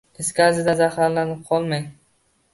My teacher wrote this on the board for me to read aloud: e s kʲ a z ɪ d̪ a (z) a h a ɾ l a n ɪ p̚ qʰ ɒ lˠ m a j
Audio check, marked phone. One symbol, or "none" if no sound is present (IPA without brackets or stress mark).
z